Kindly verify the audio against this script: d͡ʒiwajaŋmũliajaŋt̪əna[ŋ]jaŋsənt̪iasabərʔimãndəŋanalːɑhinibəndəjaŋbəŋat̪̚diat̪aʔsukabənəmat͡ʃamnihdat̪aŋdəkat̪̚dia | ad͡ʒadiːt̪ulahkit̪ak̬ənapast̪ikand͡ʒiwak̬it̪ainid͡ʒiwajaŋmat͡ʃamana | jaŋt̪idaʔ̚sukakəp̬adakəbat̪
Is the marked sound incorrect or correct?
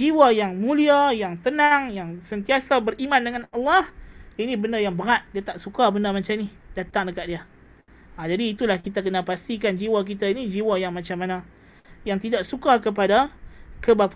correct